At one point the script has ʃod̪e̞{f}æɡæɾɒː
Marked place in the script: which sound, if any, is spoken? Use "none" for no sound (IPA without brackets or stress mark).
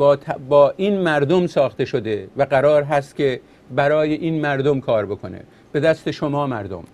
v